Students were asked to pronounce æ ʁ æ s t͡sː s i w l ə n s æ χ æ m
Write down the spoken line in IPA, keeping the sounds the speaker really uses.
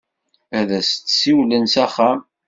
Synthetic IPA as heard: æ ð æ s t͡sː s i w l ə n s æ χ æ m